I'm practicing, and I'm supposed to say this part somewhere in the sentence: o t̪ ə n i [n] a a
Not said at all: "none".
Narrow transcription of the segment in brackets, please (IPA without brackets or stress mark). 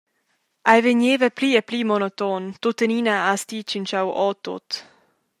n